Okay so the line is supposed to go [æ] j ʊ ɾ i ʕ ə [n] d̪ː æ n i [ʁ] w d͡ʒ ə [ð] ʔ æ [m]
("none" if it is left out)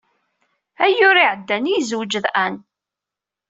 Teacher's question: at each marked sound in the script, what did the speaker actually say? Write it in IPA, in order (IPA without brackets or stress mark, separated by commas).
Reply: æ, none, z, ð, n